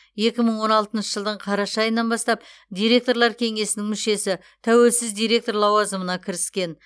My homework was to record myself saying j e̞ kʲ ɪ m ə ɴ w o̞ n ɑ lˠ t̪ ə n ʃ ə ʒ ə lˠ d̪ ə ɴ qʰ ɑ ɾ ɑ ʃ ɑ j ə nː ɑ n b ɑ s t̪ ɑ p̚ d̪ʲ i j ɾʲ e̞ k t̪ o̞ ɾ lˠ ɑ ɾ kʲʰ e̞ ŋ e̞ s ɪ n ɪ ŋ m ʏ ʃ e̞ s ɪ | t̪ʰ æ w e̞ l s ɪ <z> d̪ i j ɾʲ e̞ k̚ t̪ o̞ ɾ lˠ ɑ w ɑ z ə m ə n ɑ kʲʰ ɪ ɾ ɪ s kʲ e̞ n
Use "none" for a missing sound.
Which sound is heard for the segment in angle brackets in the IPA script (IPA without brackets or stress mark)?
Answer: z